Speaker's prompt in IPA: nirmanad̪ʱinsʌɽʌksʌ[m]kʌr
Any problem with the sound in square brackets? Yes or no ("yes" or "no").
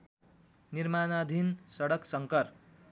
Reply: yes